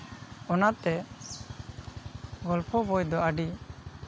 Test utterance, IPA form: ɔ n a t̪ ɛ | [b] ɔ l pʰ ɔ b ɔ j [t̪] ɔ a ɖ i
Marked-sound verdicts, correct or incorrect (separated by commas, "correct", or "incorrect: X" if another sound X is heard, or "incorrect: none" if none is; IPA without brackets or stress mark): incorrect: ɡ, incorrect: d̪